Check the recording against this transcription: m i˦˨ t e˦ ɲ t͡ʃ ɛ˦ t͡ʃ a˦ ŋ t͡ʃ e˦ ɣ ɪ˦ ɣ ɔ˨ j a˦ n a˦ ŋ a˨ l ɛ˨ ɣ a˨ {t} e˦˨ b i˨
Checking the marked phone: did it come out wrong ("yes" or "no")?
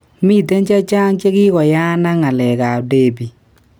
yes